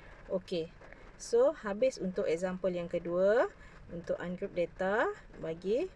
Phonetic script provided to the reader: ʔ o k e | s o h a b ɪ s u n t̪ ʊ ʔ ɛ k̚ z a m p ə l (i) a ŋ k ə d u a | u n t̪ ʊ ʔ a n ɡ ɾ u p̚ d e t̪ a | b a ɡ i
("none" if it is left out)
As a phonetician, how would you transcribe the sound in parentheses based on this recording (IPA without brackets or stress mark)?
j